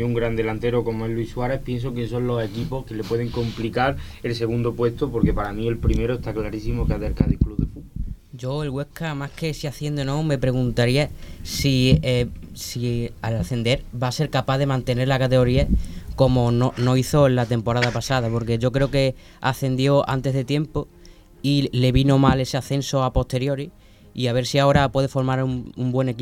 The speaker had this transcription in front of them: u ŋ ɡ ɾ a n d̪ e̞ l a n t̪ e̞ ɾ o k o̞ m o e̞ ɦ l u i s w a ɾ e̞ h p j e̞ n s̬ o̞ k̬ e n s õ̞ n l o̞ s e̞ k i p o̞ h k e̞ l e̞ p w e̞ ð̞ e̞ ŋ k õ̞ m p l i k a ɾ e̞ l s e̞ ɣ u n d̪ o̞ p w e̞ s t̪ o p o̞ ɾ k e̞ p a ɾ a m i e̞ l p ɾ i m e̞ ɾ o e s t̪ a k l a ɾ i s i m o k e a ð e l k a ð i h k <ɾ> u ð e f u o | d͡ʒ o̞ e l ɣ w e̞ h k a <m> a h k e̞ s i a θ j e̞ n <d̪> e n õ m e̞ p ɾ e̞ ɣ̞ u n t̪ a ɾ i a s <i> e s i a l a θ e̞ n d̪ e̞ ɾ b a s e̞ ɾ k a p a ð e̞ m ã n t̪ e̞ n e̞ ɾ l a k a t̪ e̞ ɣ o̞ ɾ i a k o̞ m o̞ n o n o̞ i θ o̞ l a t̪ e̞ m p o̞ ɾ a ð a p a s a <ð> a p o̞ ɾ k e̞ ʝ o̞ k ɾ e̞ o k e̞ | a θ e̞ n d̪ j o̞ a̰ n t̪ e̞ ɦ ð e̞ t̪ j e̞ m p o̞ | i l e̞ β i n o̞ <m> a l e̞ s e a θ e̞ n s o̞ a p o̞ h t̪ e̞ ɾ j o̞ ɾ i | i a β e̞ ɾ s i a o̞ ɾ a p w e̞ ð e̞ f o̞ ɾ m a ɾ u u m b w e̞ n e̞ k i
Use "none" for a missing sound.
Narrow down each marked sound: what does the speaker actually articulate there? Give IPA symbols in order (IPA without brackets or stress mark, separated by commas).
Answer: l, m, d̪, i, ð, m